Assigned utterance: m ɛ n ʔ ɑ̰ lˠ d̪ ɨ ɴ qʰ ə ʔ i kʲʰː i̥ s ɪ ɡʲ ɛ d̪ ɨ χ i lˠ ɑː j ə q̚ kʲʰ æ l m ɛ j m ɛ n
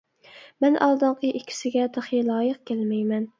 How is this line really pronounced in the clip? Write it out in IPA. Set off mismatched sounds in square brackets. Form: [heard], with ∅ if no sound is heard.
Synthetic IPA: m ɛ n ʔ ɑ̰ lˠ d̪ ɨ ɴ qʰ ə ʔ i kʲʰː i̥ s ɪ ɡʲ ɛ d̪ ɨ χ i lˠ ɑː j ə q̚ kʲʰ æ l m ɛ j m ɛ n